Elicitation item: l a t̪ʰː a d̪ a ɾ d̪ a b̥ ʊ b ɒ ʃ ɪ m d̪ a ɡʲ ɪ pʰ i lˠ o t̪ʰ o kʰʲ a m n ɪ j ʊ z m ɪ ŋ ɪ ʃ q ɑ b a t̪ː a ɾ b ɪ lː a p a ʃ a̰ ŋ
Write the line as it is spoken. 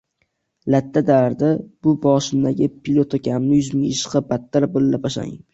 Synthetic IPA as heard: l a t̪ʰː a d̪ a ɾ d̪ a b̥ ʊ b ɒ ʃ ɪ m d̪ a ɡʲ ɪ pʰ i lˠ o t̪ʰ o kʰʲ a m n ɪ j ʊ z m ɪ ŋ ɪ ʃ q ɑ b a t̪ː a ɾ b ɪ lː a p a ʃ a̰ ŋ